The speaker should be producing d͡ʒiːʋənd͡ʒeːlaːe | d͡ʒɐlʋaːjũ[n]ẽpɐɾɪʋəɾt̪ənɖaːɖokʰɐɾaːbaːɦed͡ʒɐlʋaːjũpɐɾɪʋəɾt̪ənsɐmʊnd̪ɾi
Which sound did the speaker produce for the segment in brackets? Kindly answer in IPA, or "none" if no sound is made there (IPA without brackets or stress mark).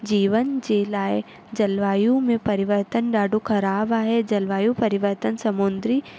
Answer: m